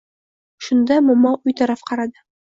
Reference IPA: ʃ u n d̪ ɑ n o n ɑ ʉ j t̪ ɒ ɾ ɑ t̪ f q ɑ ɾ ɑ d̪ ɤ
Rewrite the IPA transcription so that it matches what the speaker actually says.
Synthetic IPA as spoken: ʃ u n d̪ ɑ m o m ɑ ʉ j t̪ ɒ ɾ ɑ f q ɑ ɾ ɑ d̪ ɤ